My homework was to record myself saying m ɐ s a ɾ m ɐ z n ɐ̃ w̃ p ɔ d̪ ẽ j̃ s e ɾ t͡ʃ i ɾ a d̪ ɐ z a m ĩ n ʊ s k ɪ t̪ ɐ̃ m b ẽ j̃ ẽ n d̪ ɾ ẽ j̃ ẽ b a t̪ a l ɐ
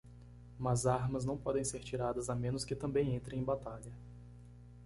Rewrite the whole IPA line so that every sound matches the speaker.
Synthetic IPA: m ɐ z a ɾ m ɐ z n ɐ̃ w̃ p ɔ d̪ ẽ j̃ s e ɾ t͡ʃ i ɾ a d̪ ɐ z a m ẽ n ʊ s k ɪ t̪ ɐ̃ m b ẽ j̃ ẽ n t̪ ɾ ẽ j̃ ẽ b a t̪ a ʎ ɐ